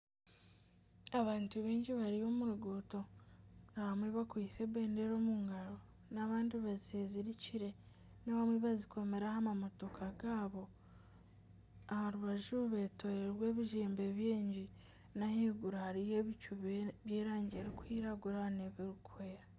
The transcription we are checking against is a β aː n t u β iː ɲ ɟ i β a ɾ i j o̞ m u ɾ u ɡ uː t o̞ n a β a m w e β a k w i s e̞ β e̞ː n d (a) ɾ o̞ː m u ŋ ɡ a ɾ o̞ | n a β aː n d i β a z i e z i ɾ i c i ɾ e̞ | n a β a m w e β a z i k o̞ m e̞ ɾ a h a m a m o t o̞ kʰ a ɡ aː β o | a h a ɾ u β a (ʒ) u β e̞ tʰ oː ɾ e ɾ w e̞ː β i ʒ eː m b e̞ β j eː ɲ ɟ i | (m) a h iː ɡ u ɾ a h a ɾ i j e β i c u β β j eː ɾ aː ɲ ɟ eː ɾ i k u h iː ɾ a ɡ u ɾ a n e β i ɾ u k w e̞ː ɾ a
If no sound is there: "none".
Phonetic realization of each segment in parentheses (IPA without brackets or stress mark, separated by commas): e, ʒ, n